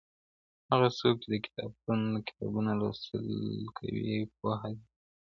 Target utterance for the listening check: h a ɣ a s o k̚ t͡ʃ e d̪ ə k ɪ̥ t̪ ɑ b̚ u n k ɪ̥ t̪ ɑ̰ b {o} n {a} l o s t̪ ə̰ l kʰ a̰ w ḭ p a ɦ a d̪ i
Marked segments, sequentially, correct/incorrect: incorrect: u, correct

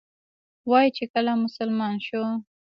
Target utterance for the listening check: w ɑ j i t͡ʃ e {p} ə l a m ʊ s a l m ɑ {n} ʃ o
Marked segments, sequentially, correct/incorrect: incorrect: k, correct

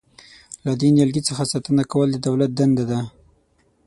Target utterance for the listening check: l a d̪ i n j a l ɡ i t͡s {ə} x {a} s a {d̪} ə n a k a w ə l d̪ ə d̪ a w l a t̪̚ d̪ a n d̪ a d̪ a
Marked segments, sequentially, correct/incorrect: correct, correct, incorrect: t̪

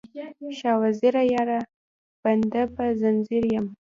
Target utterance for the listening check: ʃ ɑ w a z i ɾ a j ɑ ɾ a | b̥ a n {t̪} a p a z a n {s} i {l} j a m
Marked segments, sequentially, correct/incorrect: incorrect: d̪, incorrect: z, incorrect: ɾ

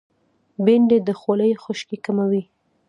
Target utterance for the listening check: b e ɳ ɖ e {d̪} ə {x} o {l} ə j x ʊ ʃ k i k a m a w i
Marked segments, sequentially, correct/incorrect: correct, correct, correct

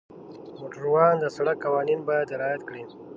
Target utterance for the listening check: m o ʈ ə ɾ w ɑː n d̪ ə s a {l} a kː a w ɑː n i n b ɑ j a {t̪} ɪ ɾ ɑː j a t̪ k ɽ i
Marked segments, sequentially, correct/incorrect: incorrect: ɽ, incorrect: d̪

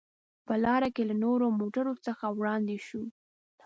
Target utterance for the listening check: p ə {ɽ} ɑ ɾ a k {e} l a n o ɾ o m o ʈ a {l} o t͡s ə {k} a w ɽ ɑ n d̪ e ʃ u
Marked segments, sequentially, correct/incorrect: incorrect: l, correct, incorrect: ɾ, incorrect: x

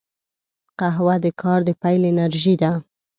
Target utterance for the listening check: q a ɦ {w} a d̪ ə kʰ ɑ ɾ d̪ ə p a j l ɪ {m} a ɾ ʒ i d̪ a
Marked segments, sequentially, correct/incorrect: correct, incorrect: n

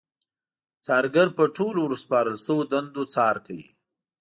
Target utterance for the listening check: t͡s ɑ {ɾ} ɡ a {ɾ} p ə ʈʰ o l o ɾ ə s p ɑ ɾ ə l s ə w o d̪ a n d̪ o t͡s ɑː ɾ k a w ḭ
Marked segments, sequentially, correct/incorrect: correct, correct

